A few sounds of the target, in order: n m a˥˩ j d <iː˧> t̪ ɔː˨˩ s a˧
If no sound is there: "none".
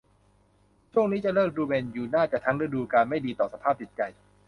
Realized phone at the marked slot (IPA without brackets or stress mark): iː˧